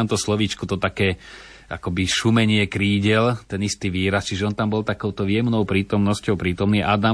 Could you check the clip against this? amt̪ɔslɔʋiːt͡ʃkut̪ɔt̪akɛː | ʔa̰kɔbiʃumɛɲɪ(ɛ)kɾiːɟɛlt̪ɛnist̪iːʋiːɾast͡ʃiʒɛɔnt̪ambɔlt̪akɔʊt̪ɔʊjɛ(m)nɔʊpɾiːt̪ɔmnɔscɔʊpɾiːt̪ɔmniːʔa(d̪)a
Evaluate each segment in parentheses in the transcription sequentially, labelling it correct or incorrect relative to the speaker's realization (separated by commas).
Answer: correct, correct, correct